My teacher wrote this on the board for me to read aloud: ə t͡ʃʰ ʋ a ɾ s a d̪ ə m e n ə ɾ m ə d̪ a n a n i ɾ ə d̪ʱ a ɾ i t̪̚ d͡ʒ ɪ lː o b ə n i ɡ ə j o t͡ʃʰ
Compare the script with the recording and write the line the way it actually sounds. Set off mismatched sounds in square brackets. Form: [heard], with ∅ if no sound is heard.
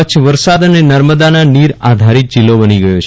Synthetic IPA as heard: ə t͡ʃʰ ʋ [ə] ɾ s a d̪ ə [n] e n ə ɾ m ə d̪ a n a n i ɾ [a] d̪ʱ a ɾ i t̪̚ d͡ʒ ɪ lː o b ə n i ɡ ə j o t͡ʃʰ